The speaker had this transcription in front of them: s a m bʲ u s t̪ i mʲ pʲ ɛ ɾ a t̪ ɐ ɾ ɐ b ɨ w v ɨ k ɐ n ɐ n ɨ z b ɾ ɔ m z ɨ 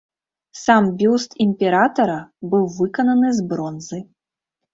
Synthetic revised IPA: s a m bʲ u s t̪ i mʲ pʲ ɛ ɾ a t̪ ɐ ɾ ɐ b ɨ w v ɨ k ɐ n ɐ n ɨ z b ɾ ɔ n z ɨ